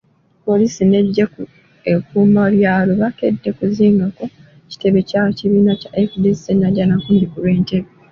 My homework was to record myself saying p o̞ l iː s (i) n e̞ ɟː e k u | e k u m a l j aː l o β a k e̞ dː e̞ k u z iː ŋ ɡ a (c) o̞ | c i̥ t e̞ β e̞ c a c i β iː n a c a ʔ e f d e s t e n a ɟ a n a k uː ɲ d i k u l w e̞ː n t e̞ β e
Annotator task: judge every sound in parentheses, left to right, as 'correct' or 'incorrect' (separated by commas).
correct, incorrect